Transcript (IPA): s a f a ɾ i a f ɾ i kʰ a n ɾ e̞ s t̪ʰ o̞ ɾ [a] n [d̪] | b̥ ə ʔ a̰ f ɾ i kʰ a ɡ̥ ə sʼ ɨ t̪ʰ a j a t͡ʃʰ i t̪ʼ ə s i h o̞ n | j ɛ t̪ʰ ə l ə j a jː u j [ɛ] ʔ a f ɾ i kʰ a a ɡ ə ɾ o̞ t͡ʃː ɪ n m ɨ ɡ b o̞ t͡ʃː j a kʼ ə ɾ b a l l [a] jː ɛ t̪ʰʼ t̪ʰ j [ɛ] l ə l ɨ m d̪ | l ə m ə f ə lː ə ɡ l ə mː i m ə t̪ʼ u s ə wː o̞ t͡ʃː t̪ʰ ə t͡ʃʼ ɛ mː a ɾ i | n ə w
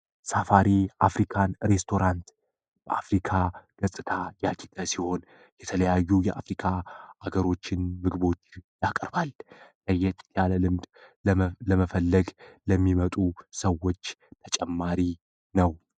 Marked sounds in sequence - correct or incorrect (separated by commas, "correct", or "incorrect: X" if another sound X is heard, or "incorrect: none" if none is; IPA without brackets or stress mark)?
correct, incorrect: t̪, correct, incorrect: ə, incorrect: a